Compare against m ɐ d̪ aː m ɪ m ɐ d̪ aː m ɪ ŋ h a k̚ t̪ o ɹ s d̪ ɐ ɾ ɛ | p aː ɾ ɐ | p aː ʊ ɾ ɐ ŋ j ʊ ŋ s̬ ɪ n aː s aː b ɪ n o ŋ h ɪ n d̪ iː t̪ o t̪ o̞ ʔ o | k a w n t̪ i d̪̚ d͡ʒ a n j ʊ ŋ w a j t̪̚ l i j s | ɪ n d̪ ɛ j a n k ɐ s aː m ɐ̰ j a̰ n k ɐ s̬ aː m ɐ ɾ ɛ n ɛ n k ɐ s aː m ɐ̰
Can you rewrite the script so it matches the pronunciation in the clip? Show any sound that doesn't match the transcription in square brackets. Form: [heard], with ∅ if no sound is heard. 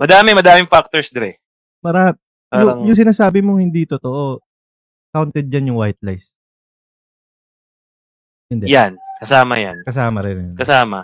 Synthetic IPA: m ɐ d̪ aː m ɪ m ɐ d̪ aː m ɪ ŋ [f] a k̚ t̪ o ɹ s d̪ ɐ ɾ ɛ | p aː ɾ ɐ | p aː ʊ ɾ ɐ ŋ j ʊ ŋ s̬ ɪ n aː s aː b ɪ [m] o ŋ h ɪ n d̪ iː t̪ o t̪ o̞ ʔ o | k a w n t̪ [ɛ] d̪̚ d͡ʒ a n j ʊ ŋ w a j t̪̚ l [a] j s | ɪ n d̪ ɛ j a n k ɐ s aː m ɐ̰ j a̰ n k ɐ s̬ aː m ɐ ɾ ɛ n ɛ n k ɐ s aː m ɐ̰